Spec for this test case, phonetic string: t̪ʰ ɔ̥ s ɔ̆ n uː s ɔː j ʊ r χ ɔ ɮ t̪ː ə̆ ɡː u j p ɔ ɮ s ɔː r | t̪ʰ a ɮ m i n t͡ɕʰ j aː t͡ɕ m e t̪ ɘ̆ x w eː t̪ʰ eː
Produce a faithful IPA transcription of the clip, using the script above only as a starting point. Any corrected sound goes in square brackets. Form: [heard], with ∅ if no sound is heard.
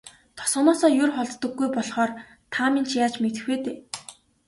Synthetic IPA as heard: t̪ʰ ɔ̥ s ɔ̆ n [ɔː] s ɔː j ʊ r χ ɔ ɮ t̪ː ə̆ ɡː u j p ɔ ɮ [χ] ɔː r | t̪ʰ a [∅] m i n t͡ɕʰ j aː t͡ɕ m e t̪ ɘ̆ x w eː [t̪] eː